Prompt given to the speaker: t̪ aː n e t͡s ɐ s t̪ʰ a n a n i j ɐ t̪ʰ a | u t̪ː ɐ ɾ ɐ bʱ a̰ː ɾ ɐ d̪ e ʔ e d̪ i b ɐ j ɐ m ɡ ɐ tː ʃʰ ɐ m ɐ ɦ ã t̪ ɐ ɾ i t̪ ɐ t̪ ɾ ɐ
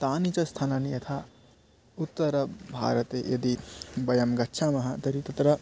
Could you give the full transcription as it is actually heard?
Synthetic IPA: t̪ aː n i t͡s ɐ s t̪ʰ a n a n i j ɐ t̪ʰ a | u t̪ː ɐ ɾ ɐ bʱ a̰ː ɾ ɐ t̪ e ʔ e d̪ i b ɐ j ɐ m ɡ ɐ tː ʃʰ a m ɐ ɦ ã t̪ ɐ ɾ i t̪ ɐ t̪ ɾ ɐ